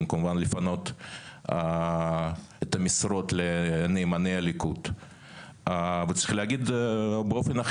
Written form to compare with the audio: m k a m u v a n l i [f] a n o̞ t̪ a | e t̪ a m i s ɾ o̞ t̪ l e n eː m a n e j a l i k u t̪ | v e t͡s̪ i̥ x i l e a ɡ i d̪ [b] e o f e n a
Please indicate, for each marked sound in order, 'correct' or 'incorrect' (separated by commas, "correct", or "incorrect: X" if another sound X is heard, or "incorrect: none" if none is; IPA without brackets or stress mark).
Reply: correct, correct